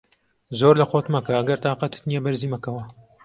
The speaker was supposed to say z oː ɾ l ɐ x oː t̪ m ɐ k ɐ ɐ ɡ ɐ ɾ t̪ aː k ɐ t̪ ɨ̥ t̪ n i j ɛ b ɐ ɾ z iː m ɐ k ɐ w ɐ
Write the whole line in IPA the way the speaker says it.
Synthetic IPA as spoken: z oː ɾ l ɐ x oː t̪ m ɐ k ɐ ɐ ɡ ɐ ɾ t̪ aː q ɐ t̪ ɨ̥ t̪ n i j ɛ b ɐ ɾ z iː m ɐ k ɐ w ɐ